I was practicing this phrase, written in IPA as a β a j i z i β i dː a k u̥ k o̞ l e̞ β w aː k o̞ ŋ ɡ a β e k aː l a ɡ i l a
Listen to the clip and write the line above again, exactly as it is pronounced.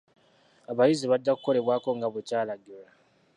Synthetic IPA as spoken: a β a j i z i β a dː a k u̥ k o̞ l e̞ β w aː k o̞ ŋ ɡ a β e c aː l a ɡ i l a